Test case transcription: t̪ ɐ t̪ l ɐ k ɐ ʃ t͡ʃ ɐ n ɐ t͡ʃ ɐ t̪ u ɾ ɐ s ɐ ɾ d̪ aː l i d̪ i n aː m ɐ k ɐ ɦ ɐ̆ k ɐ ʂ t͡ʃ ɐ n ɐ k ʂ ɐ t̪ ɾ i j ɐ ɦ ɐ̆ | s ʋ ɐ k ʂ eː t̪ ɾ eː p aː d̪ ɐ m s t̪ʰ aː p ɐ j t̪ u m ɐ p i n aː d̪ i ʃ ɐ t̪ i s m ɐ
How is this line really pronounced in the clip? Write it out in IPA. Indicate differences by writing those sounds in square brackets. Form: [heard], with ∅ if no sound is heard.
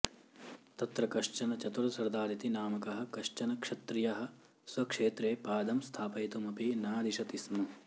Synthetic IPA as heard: t̪ ɐ t̪ [ɾ] ɐ k ɐ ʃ t͡ʃ ɐ n ɐ t͡ʃ ɐ t̪ u ɾ ɐ s ɐ ɾ d̪ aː [ɾ] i [t̪] i n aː m ɐ k ɐ ɦ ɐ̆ k ɐ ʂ t͡ʃ ɐ n ɐ k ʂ ɐ t̪ ɾ i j ɐ ɦ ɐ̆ | s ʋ ɐ k ʂ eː t̪ ɾ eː p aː d̪ ɐ m s t̪ʰ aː p ɐ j t̪ u m ɐ p i n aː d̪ i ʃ ɐ t̪ i s m ɐ